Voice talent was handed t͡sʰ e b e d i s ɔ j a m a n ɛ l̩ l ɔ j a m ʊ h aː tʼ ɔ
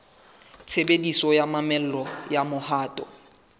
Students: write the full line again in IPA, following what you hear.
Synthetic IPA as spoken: t͡sʰ e b e d i s ɔ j a m a m ɛ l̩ l ɔ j a m ʊ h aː tʼ ɔ